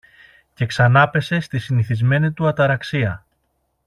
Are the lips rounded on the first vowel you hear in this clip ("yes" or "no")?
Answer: no